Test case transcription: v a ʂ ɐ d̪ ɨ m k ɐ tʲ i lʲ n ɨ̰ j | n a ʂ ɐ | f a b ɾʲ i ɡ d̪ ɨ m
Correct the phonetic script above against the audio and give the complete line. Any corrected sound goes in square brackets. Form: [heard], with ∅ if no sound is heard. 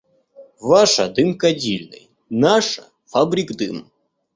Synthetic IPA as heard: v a ʂ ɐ d̪ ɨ m k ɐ [dʲ] i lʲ n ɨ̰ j | n a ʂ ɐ | f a b ɾʲ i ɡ d̪ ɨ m